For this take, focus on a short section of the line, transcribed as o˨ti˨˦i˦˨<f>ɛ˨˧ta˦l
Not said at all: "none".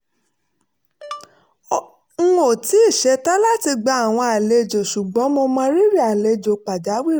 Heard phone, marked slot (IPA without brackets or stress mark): ʃ